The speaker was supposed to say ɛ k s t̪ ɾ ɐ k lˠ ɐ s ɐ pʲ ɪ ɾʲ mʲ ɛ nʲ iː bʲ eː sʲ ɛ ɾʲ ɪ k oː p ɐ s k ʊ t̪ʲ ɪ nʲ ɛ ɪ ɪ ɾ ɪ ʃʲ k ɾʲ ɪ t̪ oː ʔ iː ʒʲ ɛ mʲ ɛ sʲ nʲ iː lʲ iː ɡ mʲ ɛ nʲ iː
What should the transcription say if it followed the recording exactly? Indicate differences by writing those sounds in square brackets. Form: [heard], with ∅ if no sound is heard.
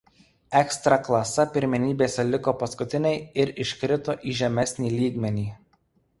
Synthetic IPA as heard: ɛ k s t̪ ɾ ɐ k lˠ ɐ s ɐ pʲ ɪ ɾʲ mʲ ɛ nʲ iː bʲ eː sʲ ɛ [lʲ] ɪ k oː p ɐ s k ʊ t̪ʲ ɪ nʲ ɛ ɪ ɪ ɾ ɪ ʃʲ k ɾʲ ɪ t̪ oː ʔ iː ʒʲ ɛ mʲ ɛ sʲ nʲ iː lʲ iː ɡ mʲ ɛ nʲ iː